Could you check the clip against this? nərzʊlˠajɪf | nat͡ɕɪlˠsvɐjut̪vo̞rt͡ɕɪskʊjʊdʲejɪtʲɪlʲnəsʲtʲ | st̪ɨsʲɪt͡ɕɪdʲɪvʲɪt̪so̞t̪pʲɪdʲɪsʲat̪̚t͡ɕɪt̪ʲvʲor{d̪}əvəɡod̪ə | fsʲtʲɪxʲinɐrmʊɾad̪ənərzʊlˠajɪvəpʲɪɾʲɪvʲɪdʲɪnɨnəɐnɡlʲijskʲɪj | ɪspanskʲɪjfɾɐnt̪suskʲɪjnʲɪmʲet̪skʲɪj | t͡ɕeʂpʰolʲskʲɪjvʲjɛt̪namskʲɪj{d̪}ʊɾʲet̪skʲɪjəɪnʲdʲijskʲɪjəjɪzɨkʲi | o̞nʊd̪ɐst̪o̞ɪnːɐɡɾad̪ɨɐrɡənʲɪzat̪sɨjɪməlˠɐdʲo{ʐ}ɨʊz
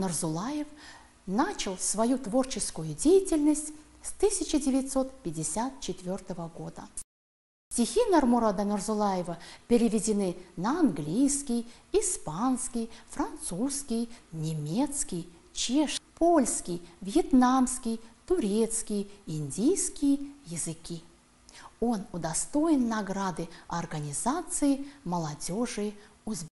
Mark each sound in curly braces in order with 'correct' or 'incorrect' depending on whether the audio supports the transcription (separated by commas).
incorrect, incorrect, correct